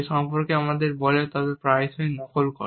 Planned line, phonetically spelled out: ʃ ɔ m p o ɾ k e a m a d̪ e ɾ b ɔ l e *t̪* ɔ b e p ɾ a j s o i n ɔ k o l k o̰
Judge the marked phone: correct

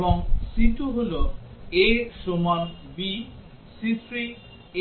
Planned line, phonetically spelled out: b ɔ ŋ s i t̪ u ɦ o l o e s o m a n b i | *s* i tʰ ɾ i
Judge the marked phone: correct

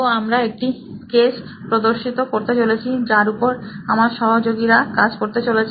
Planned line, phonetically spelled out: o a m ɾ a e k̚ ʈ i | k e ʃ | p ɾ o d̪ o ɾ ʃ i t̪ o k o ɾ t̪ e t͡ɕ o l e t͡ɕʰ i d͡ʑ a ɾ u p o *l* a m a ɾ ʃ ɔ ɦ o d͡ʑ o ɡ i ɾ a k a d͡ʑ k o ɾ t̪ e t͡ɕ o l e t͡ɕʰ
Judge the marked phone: incorrect: ɾ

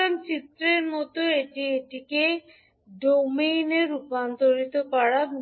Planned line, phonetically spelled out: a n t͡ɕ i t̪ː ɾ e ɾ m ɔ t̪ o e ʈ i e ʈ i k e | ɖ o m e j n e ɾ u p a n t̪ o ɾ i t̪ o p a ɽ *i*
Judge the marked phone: incorrect: a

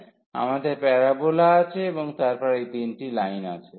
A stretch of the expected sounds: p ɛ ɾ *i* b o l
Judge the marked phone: incorrect: a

